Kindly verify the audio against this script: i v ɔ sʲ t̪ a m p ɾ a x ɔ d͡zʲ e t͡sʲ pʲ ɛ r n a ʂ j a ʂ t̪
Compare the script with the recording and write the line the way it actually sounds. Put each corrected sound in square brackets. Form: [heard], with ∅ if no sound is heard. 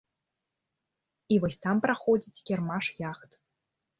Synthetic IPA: i v ɔ sʲ t̪ a m p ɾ a x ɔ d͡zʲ [i] t͡sʲ [kʲ] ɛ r [m] a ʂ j a [x] t̪